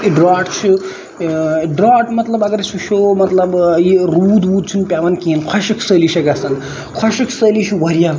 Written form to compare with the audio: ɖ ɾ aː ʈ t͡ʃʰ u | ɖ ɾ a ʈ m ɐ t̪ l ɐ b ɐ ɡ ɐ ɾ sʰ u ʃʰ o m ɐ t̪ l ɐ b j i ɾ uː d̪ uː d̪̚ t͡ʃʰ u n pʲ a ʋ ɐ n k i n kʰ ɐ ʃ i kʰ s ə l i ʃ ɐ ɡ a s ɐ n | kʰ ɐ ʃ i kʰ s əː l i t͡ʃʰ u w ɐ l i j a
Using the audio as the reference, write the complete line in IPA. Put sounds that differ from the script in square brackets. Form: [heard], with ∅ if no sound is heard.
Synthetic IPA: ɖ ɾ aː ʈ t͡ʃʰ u | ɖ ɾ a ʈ m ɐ t̪ l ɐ b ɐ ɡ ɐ ɾ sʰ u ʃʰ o m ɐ t̪ l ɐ b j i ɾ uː d̪ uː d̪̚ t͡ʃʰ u n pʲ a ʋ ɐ n k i n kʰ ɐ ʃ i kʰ s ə l i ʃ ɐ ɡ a s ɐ n | kʰ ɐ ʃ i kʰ s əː l i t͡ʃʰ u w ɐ [ɾ] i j a